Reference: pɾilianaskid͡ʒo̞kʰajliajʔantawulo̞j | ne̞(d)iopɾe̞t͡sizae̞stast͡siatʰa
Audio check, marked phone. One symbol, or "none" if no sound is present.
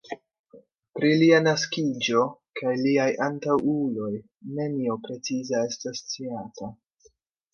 n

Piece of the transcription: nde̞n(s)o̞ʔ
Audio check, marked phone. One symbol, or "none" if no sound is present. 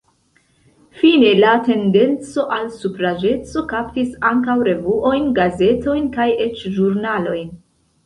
t͡s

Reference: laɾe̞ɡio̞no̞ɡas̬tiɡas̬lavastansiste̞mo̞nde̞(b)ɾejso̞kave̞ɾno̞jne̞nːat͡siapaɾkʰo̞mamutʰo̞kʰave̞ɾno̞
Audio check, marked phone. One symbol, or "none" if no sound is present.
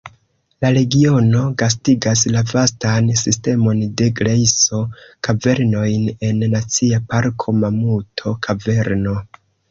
ɡ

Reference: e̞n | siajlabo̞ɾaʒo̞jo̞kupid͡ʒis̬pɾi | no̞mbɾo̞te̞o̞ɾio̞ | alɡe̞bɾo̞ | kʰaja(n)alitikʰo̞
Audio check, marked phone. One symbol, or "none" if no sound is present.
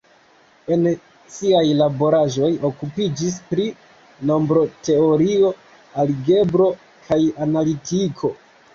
n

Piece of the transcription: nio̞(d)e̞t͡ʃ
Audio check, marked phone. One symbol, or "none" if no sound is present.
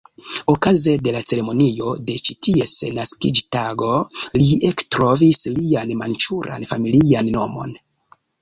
d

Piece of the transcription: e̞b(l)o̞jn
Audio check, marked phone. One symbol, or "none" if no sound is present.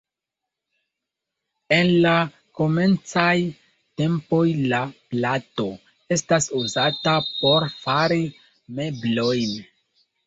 l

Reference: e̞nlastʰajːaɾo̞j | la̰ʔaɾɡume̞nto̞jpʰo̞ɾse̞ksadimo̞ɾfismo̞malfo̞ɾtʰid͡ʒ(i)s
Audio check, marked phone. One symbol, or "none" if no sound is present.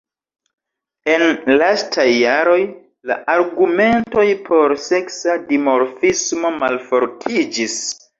i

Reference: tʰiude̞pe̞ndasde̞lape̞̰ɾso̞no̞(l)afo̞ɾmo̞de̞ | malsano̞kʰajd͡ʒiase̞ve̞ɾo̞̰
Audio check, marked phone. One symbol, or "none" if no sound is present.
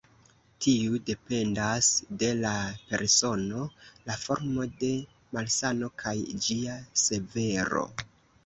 l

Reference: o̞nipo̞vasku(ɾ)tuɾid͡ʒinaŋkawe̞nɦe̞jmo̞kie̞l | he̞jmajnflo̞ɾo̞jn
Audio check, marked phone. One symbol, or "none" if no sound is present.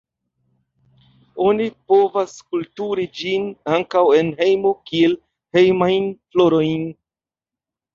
l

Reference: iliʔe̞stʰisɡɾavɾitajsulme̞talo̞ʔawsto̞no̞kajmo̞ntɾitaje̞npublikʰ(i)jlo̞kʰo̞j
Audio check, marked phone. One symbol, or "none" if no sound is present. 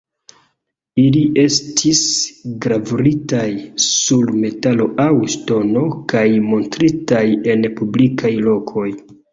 a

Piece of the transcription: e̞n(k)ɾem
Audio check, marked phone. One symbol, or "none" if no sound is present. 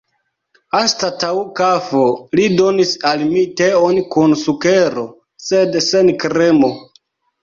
k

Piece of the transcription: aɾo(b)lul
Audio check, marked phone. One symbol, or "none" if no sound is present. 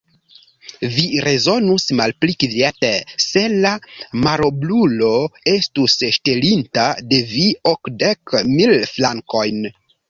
b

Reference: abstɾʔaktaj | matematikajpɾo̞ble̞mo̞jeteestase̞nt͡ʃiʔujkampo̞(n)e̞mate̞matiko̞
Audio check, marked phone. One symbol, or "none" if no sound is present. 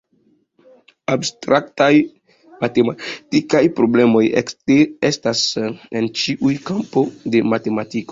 d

